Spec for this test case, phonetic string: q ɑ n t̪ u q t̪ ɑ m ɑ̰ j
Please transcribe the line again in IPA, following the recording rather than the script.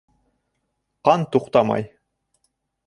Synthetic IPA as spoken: q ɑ n t̪ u q t̪ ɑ m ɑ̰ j